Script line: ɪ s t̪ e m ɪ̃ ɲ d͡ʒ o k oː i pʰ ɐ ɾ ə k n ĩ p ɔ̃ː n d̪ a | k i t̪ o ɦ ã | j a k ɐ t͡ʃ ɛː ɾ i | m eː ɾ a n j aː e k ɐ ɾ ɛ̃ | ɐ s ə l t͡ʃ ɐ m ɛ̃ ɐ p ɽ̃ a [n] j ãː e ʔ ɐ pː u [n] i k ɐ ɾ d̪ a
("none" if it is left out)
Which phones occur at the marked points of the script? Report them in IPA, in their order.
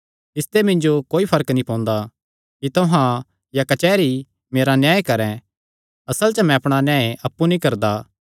n, n

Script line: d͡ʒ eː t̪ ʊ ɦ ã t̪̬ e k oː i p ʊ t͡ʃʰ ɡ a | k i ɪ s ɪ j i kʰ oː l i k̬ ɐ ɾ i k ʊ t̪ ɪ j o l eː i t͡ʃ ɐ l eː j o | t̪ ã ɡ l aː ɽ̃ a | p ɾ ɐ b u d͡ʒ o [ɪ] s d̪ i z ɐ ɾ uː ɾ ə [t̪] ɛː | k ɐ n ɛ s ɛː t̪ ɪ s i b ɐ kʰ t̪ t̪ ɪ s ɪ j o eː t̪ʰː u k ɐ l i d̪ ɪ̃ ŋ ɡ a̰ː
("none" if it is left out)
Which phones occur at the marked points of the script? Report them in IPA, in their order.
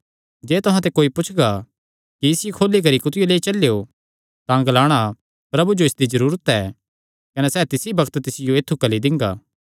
ɪ, t̪

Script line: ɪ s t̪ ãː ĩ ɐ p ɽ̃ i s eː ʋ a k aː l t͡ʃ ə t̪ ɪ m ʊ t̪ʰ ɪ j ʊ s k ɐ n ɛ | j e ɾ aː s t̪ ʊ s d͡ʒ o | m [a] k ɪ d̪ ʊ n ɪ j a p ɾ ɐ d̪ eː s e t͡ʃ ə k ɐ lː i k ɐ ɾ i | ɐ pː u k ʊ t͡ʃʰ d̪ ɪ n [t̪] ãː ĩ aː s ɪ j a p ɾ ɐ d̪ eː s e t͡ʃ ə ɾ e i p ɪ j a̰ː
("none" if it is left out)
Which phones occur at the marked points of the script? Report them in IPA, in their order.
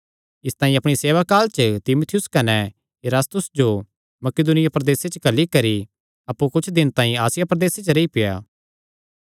ɐ, t̪

